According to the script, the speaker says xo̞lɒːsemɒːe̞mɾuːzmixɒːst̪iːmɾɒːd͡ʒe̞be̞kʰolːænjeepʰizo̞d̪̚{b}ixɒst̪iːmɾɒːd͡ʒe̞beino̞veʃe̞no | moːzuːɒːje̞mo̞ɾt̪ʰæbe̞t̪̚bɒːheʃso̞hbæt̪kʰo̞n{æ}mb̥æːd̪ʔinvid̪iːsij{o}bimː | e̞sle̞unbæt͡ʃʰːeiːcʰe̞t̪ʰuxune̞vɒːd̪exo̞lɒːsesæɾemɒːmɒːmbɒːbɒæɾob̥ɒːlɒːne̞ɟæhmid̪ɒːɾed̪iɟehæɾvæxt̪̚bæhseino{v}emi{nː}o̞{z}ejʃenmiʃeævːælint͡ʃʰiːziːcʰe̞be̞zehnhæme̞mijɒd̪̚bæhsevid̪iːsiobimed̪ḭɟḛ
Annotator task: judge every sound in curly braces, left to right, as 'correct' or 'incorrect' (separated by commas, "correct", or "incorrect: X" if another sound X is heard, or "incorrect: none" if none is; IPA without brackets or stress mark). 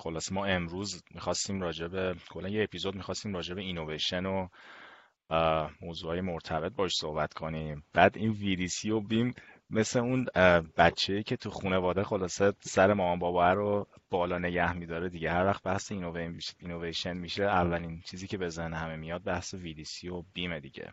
incorrect: m, incorrect: i, correct, correct, incorrect: n, incorrect: v